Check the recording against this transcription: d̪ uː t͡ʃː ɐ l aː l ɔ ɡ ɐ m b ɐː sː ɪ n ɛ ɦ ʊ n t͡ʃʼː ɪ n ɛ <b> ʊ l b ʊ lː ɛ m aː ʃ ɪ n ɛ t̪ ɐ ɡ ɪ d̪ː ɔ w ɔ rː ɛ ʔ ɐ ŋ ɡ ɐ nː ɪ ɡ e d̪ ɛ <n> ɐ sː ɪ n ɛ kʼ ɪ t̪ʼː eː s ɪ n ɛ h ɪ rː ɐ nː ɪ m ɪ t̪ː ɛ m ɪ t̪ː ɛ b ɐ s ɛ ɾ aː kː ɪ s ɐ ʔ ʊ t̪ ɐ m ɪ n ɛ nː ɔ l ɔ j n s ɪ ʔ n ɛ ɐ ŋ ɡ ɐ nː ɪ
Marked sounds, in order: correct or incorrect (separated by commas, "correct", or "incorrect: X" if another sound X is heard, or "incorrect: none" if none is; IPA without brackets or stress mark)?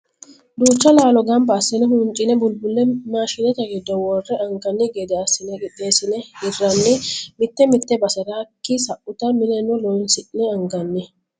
correct, incorrect: none